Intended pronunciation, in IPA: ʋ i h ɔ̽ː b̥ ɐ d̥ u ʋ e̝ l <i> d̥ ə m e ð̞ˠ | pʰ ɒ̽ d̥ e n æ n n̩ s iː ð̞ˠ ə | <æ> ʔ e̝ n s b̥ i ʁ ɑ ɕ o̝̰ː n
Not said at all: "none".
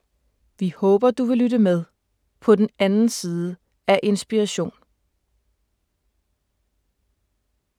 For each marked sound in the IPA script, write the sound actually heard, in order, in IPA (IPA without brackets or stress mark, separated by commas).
y, æ